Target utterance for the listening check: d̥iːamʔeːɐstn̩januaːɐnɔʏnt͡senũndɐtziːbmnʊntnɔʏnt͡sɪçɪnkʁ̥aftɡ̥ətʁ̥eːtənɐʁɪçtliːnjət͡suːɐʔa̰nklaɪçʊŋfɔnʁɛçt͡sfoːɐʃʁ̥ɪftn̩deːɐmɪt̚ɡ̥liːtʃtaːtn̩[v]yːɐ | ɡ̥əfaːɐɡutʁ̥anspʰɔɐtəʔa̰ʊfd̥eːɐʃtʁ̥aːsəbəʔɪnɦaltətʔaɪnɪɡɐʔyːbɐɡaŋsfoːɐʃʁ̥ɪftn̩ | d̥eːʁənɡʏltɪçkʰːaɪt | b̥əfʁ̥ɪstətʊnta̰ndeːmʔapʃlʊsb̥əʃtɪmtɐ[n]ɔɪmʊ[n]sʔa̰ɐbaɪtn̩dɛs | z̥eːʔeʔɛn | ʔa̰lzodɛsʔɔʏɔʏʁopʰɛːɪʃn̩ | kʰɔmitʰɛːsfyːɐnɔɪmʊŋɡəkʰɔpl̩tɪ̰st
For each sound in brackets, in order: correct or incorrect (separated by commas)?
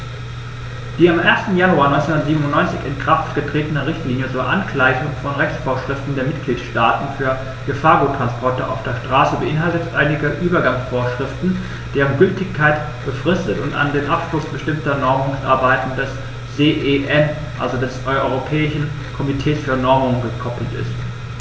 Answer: incorrect, correct, incorrect